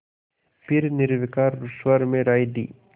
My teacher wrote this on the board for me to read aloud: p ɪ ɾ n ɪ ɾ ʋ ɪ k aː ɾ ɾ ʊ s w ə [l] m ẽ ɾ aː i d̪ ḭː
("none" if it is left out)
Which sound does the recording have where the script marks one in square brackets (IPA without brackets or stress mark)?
ɾ